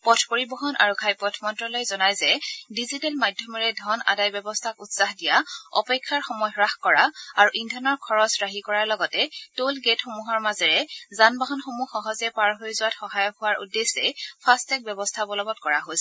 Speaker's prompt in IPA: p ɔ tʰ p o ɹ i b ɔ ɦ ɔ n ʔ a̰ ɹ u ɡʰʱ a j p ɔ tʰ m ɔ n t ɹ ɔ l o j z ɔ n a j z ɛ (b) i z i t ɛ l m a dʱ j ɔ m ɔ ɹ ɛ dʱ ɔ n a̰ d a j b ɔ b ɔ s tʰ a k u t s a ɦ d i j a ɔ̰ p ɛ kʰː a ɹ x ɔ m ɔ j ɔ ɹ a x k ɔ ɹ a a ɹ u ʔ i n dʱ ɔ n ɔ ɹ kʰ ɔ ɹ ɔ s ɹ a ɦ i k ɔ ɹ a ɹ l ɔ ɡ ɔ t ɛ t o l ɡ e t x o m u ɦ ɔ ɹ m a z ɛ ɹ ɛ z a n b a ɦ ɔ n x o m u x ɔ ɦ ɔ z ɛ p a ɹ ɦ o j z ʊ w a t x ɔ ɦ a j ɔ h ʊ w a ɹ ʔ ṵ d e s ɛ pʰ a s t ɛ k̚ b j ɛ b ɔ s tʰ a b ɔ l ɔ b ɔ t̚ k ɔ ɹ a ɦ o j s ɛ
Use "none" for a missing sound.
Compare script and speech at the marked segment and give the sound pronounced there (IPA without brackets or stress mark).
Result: d